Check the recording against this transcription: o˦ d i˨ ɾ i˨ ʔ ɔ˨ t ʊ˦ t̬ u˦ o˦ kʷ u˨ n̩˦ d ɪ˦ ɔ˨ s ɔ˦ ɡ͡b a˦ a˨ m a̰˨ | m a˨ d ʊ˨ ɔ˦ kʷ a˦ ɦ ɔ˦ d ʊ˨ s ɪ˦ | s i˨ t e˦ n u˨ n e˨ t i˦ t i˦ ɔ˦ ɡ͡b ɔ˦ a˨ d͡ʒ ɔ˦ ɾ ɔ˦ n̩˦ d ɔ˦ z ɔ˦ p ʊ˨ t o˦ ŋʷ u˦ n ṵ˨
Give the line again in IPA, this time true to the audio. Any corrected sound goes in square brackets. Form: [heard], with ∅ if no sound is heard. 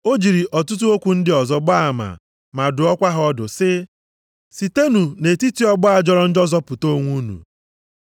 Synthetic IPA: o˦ [d͡ʒ] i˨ ɾ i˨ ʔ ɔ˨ t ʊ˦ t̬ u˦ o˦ kʷ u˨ n̩˦ d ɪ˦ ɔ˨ [z] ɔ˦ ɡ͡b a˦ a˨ m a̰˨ | m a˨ d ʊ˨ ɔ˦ kʷ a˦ ɦ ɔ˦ d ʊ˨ s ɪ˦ | s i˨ t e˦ n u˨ n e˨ t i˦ t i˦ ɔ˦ ɡ͡b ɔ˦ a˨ d͡ʒ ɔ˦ ɾ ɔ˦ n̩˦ [d͡ʒ] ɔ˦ z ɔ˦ p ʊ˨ t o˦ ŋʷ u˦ n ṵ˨

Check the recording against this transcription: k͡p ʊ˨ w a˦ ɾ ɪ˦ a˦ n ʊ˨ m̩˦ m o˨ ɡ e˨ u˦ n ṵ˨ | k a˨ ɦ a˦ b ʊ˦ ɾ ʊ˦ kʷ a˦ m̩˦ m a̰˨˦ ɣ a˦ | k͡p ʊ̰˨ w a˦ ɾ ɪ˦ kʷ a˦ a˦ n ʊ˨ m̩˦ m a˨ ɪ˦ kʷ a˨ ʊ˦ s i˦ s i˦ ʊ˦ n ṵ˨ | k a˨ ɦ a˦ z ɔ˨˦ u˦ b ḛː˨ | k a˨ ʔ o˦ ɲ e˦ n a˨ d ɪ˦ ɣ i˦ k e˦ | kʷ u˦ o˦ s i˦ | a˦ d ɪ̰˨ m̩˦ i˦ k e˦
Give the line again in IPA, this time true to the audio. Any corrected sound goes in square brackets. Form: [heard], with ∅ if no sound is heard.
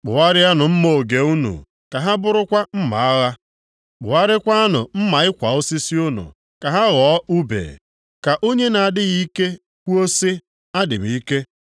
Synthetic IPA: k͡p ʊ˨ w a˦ ɾ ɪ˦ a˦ n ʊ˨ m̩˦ m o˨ ɡ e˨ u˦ n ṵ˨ | k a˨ ɦ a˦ b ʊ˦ ɾ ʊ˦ kʷ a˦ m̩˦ m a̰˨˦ ɣ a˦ | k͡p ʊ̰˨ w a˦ ɾ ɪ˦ kʷ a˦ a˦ n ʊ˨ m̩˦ m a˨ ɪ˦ kʷ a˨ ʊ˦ s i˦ s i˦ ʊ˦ n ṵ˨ | k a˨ ɦ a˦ [ɣ] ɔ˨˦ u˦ b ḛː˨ | k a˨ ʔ o˦ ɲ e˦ n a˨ d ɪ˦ ɣ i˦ k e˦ | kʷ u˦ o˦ s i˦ | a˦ d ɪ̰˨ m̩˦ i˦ k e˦

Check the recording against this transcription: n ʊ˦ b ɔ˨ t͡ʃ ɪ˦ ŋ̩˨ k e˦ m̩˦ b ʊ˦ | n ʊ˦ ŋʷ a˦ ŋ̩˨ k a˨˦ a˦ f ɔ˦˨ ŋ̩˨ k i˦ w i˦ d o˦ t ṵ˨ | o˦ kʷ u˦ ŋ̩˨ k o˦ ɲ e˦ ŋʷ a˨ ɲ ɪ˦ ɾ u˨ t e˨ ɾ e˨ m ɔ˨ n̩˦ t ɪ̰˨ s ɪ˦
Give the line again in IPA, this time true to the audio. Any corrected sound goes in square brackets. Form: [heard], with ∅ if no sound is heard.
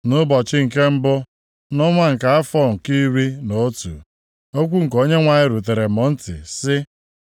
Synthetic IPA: n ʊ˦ b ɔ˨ t͡ʃ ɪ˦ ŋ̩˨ k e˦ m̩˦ b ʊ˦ | n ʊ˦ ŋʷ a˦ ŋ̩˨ k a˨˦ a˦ f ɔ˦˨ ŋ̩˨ k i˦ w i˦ [n] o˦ t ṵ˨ | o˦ kʷ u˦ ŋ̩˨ k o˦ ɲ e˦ ŋʷ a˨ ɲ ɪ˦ ɾ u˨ t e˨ ɾ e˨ m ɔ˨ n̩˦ t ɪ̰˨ s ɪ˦

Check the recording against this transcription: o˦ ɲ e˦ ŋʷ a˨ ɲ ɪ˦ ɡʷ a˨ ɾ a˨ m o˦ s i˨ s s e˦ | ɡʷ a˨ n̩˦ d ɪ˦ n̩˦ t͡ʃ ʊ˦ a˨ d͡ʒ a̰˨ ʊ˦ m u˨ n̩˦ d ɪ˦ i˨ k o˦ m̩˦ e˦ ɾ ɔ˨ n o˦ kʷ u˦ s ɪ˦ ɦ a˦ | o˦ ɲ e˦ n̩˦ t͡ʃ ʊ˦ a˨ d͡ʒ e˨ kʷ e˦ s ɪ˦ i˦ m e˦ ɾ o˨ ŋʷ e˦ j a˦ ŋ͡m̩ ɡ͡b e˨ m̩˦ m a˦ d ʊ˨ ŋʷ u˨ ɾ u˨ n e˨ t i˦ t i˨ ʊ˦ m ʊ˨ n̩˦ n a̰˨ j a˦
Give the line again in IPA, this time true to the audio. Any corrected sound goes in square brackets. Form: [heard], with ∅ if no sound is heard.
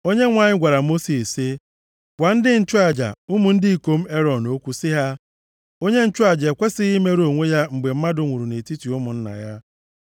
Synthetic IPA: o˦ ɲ e˦ ŋʷ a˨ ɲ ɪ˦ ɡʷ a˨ ɾ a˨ m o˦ s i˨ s s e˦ | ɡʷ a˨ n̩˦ d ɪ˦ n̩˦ t͡ʃ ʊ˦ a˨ d͡ʒ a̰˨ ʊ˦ m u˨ n̩˦ d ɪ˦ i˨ k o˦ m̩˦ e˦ ɾ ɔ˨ n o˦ kʷ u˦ s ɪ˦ ɦ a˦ | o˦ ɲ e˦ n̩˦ t͡ʃ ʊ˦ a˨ d͡ʒ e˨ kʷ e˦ s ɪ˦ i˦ m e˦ ɾ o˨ ŋʷ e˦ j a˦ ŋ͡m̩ ɡ͡b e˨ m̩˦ m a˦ d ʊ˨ ŋʷ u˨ ɾ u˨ n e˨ t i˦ t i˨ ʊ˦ m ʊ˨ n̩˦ n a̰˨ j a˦

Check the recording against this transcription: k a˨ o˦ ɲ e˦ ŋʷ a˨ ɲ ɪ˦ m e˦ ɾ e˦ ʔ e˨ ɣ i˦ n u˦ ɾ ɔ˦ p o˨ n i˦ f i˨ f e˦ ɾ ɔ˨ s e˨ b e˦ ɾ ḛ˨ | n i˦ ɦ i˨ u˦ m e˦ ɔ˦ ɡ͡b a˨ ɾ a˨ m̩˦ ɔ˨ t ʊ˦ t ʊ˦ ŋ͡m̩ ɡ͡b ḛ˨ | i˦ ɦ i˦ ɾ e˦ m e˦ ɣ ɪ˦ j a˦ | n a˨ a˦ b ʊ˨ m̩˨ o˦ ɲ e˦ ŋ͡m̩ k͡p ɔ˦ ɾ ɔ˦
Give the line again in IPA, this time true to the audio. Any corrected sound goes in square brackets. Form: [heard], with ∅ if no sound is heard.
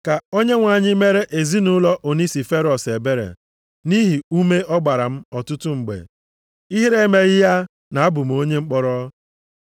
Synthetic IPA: k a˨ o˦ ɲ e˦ ŋʷ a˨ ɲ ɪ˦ m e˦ ɾ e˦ ʔ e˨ [z] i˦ n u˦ [l] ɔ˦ [ʔ] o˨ n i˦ [s] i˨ f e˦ ɾ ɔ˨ s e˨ b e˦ ɾ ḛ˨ | n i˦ ɦ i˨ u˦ m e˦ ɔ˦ ɡ͡b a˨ ɾ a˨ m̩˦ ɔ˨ t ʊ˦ t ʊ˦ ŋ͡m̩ ɡ͡b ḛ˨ | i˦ ɦ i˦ ɾ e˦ m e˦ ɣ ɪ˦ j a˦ | n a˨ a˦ b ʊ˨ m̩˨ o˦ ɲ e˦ ŋ͡m̩ k͡p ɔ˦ ɾ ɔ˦

